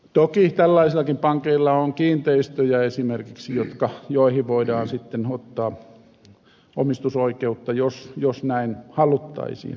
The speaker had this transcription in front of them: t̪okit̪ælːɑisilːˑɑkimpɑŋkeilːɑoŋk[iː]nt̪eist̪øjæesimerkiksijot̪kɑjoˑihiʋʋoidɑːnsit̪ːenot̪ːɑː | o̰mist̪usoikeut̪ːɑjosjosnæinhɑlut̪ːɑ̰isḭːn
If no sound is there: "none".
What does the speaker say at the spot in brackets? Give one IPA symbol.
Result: iː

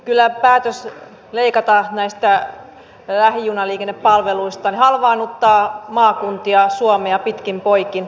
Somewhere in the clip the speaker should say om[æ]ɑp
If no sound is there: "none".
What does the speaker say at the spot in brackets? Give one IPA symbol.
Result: e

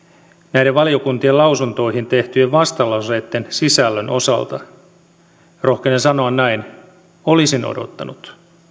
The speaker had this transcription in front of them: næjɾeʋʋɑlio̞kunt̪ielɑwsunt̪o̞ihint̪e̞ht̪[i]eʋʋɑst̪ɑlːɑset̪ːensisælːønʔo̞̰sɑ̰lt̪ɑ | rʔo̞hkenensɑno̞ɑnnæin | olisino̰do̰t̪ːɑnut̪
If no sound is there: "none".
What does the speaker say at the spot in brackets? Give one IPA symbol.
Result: y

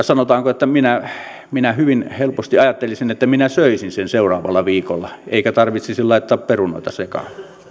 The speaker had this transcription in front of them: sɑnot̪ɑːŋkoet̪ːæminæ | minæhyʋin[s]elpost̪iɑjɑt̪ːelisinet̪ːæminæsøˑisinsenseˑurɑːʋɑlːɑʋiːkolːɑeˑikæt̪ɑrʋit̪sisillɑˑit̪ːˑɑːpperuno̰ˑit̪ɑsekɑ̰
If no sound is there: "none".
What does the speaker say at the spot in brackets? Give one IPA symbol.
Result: h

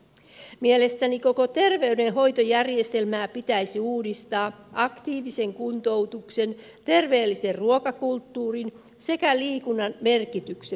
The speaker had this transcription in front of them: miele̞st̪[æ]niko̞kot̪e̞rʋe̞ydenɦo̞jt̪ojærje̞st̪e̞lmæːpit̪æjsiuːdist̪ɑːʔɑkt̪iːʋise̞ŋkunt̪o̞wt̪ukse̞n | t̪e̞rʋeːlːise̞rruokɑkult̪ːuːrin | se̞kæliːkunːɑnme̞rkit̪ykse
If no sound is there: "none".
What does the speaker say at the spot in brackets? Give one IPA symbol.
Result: æ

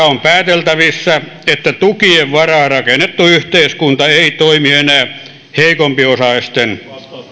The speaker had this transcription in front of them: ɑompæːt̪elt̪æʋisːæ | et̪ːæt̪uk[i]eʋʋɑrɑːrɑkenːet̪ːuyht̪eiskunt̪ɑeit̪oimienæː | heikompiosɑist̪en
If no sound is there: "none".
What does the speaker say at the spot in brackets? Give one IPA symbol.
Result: i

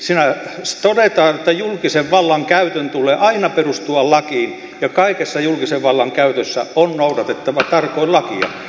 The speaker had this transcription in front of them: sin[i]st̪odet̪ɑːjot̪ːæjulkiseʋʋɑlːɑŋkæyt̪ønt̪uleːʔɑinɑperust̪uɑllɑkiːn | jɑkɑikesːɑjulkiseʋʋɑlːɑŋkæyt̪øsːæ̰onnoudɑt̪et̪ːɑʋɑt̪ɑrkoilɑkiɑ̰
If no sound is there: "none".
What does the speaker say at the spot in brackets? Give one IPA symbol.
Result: æ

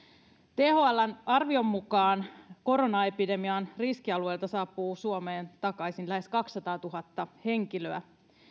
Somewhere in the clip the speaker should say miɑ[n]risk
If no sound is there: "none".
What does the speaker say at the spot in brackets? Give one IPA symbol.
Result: n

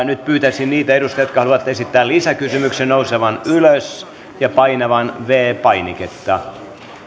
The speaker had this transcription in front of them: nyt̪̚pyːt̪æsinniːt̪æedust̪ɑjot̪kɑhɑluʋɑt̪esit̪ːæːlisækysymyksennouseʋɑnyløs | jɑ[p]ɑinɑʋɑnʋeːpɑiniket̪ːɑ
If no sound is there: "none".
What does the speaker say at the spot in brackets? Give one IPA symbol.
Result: p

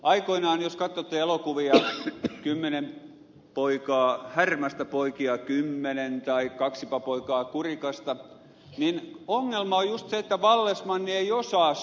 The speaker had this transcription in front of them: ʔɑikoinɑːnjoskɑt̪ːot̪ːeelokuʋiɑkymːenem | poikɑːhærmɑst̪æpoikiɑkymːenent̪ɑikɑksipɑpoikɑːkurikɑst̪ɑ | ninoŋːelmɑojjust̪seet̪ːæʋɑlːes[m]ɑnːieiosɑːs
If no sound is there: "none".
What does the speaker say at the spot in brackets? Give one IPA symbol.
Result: m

